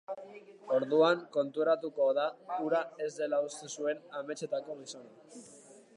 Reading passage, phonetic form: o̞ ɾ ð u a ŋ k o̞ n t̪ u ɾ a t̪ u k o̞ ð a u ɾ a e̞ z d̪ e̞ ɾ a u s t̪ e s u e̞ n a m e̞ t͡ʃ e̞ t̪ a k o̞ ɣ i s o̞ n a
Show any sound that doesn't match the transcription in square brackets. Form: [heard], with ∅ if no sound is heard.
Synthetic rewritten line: o̞ ɾ ð u a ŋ k o̞ n t̪ u ɾ a t̪ u k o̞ ð a u ɾ a e̞ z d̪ e̞ [l] a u s t̪ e s u e̞ n a m e̞ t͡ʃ e̞ t̪ a k o̞ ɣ i s o̞ n a